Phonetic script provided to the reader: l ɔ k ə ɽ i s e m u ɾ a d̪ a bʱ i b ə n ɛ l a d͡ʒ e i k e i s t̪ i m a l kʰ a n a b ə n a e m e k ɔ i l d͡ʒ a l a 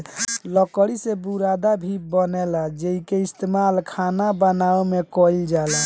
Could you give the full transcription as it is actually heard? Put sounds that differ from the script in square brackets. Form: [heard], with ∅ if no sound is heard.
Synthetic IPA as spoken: l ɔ k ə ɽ i s e [b] u ɾ a d̪ a bʱ i b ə n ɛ l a d͡ʒ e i k e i s t̪ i m a l kʰ a n a b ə n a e m e k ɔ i l d͡ʒ a l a

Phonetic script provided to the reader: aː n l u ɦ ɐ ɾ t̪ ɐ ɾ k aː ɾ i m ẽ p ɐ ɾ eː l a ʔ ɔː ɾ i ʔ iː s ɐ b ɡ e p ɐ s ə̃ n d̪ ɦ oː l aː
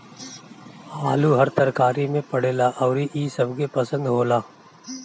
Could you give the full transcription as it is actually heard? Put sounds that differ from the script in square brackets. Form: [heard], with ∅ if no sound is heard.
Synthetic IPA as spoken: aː [∅] l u ɦ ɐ ɾ t̪ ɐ ɾ k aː ɾ i m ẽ p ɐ [ɽ] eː l a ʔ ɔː ɾ i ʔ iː s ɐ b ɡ e p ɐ s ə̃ n d̪ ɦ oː l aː

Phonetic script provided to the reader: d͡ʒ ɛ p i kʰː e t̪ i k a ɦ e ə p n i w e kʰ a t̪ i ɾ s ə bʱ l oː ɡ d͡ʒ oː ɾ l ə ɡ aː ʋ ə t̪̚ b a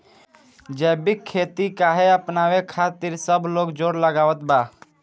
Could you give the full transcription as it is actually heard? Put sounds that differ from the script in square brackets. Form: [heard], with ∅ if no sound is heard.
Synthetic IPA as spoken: d͡ʒ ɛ [b] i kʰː e t̪ i k a ɦ e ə p n [a] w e kʰ a t̪ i ɾ s ə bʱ l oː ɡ d͡ʒ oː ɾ l ə ɡ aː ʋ ə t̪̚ b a

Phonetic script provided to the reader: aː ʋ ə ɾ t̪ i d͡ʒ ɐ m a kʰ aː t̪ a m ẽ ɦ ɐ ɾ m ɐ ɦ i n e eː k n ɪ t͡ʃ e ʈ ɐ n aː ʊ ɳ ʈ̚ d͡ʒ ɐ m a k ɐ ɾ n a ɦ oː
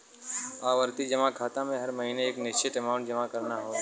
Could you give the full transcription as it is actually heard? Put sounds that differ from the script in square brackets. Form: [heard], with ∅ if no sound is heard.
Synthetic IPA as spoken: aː ʋ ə ɾ t̪ i d͡ʒ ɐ m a kʰ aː t̪ a m ẽ ɦ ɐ ɾ m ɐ ɦ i n e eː k n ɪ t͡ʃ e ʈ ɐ [m] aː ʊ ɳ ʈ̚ d͡ʒ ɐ m a k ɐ ɾ n a ɦ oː

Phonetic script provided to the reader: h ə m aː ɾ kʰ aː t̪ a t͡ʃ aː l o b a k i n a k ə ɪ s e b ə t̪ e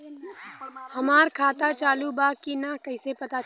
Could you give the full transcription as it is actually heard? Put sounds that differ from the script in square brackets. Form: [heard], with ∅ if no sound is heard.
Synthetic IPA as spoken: h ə m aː ɾ kʰ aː t̪ a t͡ʃ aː l [u] b a k i n a k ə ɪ s e [p] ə t̪ [a]

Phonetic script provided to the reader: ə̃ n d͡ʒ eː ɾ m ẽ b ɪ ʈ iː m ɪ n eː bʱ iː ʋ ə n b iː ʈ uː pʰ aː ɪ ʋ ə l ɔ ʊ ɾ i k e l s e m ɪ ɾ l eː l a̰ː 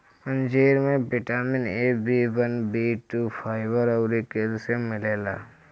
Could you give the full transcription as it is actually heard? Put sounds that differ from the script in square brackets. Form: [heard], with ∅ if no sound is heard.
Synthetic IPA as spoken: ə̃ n d͡ʒ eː ɾ m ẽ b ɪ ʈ [aː] m ɪ n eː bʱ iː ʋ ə n b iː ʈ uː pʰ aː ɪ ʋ ə [ɾ] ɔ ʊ ɾ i k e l s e m ɪ [∅] l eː l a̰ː

